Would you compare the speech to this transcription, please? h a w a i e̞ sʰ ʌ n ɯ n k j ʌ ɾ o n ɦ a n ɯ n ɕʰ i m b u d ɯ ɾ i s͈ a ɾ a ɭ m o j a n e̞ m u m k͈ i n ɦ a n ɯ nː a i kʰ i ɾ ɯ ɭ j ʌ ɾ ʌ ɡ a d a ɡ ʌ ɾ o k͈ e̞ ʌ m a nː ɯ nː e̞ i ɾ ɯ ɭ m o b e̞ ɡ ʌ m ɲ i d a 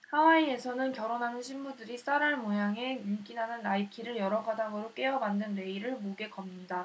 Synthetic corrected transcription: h a w a i e̞ sʰ ʌ n ɯ n k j ʌ ɾ o n ɦ a n ɯ n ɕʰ i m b u d ɯ ɾ i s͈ a ɾ a ɭ m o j a ŋ e̞ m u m k͈ i n ɦ a n ɯ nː a i kʰ i ɾ ɯ ɭ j ʌ ɾ ʌ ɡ a d a ɡ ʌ ɾ o k͈ e̞ ʌ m a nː ɯ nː e̞ i ɾ ɯ ɭ m o ɡ e̞ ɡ ʌ m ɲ i d a